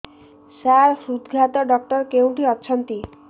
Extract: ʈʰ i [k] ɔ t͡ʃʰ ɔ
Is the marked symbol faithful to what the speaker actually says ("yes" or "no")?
no